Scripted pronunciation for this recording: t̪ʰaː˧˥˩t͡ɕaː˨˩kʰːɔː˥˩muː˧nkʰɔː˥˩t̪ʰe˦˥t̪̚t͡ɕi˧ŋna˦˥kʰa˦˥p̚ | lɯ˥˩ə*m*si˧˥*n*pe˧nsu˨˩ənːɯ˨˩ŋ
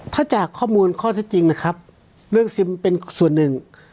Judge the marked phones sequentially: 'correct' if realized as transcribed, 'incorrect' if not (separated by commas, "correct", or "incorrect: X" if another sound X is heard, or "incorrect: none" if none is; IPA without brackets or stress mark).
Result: incorrect: ŋ, incorrect: m